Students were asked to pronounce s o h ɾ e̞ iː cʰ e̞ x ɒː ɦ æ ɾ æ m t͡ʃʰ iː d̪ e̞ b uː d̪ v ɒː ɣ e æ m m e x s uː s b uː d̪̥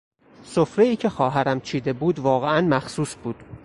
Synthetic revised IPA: s o f ɾ e̞ iː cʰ e̞ x ɒː ɦ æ ɾ æ m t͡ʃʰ iː d̪ e̞ b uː d̪ v ɒː ɣ e æ n m æ x s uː s b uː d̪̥